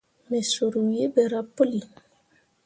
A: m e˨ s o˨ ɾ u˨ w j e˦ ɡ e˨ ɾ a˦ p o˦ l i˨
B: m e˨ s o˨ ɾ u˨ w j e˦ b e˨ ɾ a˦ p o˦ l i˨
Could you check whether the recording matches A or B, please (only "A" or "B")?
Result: B